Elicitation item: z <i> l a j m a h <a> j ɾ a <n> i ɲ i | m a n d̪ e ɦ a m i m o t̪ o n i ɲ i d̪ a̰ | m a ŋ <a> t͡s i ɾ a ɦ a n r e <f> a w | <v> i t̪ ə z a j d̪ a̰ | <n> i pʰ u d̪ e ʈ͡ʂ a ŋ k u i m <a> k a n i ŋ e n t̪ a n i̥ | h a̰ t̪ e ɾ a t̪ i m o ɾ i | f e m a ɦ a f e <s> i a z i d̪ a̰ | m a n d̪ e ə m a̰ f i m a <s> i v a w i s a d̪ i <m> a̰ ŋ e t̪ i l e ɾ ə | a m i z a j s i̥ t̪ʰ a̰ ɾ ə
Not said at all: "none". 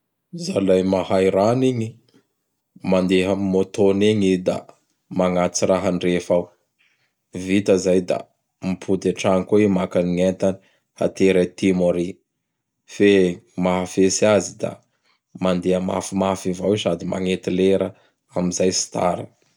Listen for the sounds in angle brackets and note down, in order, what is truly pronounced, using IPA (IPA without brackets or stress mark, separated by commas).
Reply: a, a, n, a, f, v, m, a, s, f, m